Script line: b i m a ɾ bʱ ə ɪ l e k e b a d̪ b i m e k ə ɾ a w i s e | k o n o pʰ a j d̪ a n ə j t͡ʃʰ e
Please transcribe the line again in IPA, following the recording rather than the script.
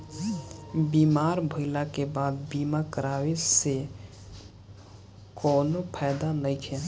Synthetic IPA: b i m a ɾ bʱ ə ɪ l a k e b a d̪ b i m a k ə ɾ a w e s e | k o n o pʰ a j d̪ a n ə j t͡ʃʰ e